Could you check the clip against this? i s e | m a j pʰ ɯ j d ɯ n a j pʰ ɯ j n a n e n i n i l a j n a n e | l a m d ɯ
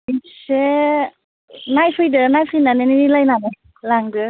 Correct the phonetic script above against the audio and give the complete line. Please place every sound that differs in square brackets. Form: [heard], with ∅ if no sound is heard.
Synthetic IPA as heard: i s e | [n] a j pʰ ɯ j d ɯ n a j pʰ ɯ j n a n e n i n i l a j n a n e | l a [ŋ] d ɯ